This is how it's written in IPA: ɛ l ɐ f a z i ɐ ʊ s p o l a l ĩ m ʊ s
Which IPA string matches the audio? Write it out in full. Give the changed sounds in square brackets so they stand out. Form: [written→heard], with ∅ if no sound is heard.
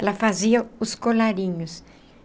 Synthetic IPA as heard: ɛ l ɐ f a z i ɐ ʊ s [p→k] o l a [l→ɾ] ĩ [m→ɲ] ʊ s